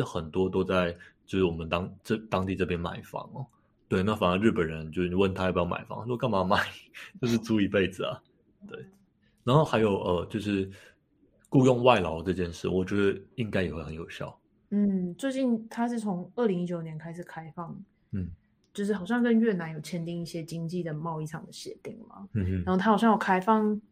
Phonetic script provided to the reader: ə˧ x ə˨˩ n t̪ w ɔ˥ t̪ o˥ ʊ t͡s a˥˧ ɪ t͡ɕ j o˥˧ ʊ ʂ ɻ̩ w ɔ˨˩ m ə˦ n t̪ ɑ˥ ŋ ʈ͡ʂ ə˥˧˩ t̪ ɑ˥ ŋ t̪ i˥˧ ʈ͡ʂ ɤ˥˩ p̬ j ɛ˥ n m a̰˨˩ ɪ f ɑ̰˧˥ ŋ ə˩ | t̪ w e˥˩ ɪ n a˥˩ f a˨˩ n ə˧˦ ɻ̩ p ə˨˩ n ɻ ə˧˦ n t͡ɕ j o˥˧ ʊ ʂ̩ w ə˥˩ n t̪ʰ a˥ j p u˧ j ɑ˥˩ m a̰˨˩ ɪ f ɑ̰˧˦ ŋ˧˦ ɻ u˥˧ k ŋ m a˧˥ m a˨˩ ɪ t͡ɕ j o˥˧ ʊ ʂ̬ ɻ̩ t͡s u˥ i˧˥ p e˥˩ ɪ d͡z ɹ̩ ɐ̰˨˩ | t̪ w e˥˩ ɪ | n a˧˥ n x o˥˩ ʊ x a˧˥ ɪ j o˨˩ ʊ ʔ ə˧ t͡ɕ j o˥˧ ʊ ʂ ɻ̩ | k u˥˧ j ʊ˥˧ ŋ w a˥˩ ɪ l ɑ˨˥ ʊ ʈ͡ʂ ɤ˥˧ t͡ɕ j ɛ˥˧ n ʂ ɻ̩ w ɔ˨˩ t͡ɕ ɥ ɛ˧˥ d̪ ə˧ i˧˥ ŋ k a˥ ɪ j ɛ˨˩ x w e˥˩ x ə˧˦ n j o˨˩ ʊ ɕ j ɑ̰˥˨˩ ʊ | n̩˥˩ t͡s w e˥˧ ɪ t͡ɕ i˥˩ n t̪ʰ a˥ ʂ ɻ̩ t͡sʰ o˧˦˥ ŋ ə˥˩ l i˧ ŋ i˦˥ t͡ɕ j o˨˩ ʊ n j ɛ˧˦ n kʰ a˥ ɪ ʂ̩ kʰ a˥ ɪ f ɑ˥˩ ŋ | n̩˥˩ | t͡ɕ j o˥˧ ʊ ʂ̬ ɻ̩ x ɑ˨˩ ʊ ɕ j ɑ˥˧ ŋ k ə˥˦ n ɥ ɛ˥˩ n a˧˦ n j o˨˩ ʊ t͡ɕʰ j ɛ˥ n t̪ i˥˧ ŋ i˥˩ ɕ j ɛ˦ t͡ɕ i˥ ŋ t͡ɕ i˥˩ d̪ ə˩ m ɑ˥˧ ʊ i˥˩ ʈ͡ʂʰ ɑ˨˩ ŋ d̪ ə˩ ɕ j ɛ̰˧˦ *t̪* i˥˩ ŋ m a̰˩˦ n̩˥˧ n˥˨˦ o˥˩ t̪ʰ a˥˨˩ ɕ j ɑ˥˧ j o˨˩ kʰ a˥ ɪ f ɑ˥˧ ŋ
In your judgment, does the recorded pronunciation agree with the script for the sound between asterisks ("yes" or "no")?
yes